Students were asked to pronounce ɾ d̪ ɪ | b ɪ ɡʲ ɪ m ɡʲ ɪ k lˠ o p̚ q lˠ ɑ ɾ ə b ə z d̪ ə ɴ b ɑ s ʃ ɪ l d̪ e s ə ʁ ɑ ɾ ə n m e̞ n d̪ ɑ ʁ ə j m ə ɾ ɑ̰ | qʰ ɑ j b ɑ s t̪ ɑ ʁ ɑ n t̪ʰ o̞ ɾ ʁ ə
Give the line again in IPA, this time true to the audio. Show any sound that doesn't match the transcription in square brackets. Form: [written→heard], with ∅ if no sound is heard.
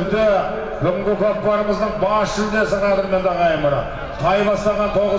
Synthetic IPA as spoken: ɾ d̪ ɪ | b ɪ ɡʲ ɪ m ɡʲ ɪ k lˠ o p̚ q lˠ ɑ ɾ ə [b→m] ə z d̪ ə ɴ b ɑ s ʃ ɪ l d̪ e s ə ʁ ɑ ɾ ə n m e̞ n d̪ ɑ ʁ [ə→ɑ] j m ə ɾ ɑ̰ | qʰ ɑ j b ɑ s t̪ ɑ ʁ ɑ n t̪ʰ o̞ [ɾ→∅] ʁ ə